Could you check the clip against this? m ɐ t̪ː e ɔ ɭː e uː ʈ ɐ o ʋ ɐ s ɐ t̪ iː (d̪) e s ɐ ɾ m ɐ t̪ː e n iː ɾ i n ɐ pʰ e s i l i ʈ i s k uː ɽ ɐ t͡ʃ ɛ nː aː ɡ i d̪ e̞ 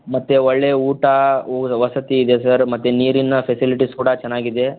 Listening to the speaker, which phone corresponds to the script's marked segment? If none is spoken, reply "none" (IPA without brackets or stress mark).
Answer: d̪